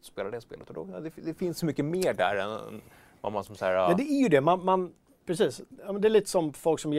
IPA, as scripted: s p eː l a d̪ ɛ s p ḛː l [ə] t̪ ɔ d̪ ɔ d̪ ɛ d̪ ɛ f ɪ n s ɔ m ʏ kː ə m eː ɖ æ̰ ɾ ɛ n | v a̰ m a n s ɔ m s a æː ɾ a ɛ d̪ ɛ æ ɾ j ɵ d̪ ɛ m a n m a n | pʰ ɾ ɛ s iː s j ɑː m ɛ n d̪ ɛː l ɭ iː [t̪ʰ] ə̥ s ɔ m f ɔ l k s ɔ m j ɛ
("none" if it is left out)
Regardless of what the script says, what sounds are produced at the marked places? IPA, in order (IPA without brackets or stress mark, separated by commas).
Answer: ə, t̪